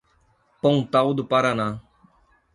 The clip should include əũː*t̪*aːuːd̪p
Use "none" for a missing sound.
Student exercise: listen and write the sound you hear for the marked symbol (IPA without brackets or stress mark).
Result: t̪